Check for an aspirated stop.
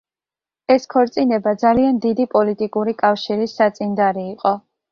present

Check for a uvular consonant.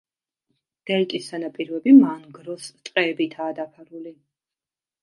present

